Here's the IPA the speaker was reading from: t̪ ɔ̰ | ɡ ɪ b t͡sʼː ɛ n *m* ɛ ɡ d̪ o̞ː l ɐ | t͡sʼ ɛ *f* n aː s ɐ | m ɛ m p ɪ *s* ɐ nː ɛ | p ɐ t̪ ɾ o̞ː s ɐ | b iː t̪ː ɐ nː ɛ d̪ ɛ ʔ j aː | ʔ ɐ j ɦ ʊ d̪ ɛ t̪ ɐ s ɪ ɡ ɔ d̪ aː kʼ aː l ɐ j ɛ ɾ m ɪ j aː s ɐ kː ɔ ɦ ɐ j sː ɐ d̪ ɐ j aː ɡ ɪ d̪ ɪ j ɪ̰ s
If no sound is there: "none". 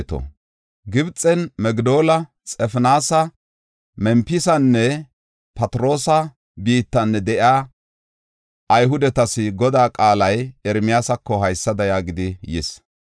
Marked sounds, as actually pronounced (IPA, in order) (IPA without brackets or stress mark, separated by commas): m, f, s